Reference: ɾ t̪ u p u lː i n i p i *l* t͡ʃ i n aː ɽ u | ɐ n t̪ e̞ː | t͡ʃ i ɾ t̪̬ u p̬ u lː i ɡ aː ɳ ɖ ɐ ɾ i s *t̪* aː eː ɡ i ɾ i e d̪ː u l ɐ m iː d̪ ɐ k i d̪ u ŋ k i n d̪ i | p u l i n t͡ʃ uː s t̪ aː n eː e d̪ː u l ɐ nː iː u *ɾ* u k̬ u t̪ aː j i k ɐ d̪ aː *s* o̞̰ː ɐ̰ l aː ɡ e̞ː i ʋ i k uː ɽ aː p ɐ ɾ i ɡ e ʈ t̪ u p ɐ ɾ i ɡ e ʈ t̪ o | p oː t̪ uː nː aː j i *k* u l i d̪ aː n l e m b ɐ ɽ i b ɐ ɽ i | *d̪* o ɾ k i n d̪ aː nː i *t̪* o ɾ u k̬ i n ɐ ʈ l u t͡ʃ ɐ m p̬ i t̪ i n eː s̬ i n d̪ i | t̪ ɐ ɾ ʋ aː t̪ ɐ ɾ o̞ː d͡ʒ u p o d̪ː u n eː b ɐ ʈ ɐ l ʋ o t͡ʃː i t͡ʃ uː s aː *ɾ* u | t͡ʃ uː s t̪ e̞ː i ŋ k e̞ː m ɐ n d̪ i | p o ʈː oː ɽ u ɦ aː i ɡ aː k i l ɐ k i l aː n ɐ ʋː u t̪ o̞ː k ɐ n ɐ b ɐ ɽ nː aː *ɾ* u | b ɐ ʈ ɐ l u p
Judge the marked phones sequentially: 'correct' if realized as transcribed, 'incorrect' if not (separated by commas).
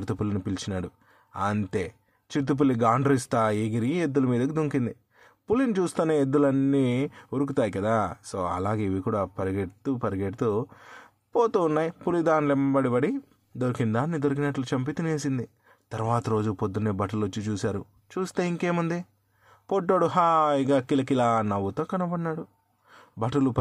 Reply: correct, correct, correct, correct, incorrect, correct, incorrect, correct, incorrect